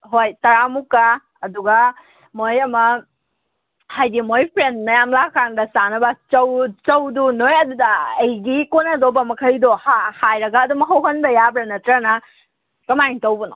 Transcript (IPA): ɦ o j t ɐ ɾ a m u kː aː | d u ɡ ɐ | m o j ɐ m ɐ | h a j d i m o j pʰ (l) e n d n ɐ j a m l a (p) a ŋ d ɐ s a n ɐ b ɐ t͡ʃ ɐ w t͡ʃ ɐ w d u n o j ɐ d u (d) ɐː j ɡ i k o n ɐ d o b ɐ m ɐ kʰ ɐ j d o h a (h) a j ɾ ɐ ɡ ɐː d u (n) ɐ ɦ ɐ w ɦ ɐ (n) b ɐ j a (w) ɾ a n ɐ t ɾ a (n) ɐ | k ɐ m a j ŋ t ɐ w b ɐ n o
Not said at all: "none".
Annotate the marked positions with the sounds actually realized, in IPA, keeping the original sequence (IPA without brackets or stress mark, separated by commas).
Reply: ɾ, k, d, h, m, n, b, n